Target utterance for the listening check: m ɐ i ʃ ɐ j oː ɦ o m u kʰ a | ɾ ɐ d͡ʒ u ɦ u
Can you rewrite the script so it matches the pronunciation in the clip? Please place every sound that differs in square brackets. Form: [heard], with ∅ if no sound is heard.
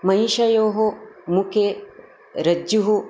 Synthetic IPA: m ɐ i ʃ ɐ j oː ɦ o m u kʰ [e] | ɾ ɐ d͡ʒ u ɦ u